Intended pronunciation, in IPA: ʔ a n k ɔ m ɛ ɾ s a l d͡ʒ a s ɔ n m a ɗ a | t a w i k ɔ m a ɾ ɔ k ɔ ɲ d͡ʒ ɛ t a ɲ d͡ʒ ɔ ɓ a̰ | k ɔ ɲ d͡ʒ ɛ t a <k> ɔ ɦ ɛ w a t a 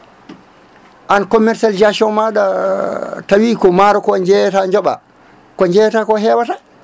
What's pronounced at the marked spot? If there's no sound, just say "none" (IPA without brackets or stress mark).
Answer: k